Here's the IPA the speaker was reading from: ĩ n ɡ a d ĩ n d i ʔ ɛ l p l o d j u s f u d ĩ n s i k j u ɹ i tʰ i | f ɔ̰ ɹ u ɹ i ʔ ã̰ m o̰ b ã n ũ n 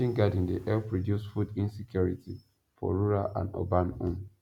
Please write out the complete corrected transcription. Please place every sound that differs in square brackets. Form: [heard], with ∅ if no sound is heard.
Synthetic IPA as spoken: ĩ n ɡ a d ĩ n d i ʔ ɛ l p [ɹ] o d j u s f u d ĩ n s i k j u ɹ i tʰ i | f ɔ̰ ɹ u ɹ [a] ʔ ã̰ [n] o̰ b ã n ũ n